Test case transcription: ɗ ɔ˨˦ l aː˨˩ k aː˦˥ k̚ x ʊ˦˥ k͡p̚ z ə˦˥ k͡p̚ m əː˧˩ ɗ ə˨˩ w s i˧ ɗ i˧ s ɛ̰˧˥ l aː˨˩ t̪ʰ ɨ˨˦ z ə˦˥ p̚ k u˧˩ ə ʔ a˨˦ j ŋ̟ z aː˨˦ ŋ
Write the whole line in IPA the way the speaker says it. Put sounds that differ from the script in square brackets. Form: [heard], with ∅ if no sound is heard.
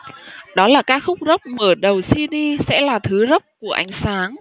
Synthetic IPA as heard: ɗ ɔ˨˦ l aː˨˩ k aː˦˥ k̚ x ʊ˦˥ k͡p̚ z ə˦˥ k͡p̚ m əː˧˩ ɗ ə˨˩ w s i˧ ɗ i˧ s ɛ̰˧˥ l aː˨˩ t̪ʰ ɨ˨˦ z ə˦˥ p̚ k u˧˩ ə ʔ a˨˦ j ŋ̟ [s] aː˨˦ ŋ